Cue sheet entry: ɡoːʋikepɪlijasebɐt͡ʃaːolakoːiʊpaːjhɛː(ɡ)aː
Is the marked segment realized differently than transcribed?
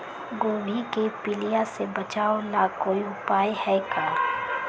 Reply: yes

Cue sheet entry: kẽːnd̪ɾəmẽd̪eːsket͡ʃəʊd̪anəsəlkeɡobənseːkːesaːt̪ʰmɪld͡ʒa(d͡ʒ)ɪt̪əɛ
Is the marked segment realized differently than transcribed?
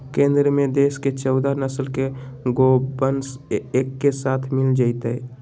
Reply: yes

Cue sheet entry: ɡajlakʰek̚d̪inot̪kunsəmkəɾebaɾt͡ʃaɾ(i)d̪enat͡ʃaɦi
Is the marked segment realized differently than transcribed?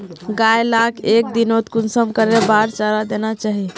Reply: yes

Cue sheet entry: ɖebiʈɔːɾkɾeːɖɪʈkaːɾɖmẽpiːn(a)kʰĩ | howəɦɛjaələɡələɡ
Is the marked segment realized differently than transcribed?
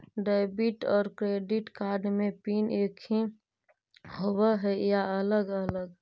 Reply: yes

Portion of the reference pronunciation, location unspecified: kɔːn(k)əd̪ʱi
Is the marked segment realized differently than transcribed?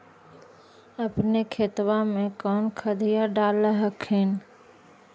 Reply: yes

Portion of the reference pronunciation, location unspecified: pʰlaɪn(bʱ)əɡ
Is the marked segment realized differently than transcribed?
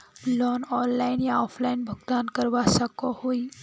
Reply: no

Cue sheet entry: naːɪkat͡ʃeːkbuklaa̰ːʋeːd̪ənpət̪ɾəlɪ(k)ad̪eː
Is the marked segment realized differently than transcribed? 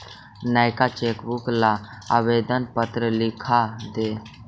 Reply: yes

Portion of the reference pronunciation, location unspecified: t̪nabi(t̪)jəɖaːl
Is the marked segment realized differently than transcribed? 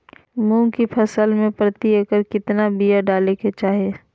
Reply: yes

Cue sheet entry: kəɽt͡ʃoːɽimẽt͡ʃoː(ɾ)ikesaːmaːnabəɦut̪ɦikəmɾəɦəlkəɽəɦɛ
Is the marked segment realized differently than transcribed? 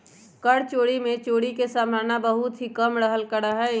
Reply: yes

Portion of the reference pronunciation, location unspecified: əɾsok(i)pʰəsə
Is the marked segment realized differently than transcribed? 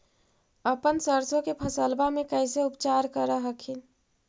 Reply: yes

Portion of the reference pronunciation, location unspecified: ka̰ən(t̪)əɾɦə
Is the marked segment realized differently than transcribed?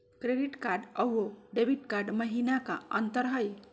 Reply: no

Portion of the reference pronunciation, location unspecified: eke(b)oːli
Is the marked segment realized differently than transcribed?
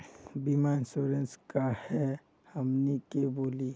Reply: no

